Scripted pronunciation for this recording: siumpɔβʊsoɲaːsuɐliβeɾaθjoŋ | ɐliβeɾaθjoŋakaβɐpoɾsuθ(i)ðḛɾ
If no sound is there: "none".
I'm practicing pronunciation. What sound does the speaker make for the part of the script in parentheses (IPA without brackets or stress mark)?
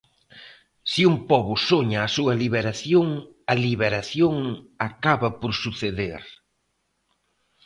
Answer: e